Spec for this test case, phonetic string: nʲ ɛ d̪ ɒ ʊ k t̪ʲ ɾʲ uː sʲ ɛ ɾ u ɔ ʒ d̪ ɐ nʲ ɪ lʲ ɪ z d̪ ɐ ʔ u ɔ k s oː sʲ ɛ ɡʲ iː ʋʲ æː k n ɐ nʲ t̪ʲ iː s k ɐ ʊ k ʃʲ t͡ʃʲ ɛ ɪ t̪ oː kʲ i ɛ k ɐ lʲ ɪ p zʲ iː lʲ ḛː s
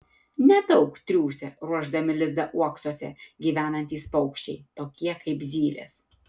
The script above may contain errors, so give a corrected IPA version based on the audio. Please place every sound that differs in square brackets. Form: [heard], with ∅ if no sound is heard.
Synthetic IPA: nʲ ɛ d̪ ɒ ʊ k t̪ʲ ɾʲ uː sʲ ɛ ɾ u ɔ ʒ d̪ ɐ [mʲ] ɪ lʲ ɪ z d̪ ɐ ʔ u ɔ k s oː sʲ ɛ ɡʲ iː ʋʲ æː [∅] n ɐ nʲ t̪ʲ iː s [p] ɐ ʊ k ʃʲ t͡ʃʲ ɛ ɪ t̪ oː kʲ i ɛ k ɐ [∅] ɪ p zʲ iː lʲ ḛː s